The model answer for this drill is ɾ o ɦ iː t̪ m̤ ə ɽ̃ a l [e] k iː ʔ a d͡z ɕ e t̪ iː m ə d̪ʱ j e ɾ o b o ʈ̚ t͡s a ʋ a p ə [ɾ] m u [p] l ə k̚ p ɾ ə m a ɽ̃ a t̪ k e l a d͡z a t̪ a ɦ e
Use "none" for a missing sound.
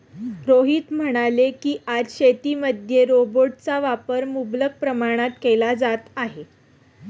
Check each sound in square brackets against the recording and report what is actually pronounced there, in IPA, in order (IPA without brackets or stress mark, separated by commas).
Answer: e, ɾ, b